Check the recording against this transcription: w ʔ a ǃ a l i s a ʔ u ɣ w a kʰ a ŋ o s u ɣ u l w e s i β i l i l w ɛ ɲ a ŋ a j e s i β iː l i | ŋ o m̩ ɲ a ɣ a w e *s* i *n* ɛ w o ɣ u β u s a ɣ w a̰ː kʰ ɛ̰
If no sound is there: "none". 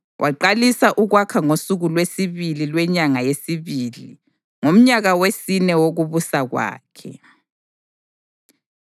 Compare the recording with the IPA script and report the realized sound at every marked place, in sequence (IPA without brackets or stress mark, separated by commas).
s, n